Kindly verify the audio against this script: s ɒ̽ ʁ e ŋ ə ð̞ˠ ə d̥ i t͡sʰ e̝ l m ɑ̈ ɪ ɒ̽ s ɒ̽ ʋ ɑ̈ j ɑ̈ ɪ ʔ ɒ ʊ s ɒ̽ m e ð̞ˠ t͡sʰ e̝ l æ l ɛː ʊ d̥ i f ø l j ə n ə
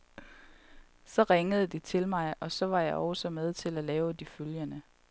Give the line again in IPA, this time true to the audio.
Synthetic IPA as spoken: s ɒ̽ ʁ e ŋ ə ð̞ˠ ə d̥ i t͡sʰ e̝ l m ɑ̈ ɪ ɒ̽ s ɒ̽ ʋ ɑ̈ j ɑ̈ ɪ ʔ ɒ ʊ s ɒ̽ m e ð̞ˠ t͡sʰ e̝ l æ l ɛː ʊ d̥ i f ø l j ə n ə